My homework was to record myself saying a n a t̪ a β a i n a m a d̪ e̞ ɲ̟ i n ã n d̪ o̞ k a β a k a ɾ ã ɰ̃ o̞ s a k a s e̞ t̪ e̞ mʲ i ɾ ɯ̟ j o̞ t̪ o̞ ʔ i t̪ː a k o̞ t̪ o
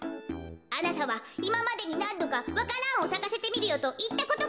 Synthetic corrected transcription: a n a t̪ a β a i m a m a d̪ e̞ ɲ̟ i n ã n d̪ o̞ k a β a k a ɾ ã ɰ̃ o̞ s a k a s e̞ t̪ e̞ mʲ i ɾ ɯ̟ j o̞ t̪ o̞ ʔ i t̪ː a k o̞ t̪ o